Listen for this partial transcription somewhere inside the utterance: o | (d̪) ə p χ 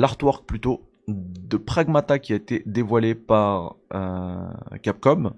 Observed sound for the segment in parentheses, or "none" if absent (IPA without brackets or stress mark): d̪